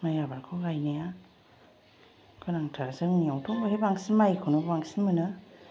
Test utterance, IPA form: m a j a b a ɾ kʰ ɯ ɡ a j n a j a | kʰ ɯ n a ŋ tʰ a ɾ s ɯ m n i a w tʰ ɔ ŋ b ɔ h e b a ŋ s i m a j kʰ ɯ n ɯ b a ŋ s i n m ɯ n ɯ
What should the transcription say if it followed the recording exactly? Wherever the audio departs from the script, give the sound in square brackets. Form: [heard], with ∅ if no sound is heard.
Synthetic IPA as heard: m a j a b a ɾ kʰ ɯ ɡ a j n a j a | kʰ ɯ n a ŋ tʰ a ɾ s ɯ [ŋ] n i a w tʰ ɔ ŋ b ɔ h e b a ŋ s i m a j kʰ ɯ n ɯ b a ŋ s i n m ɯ n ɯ